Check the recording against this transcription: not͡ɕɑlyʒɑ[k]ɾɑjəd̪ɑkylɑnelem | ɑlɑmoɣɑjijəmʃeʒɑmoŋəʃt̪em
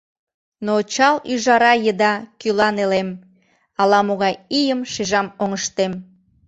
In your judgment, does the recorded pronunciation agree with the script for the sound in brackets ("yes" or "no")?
no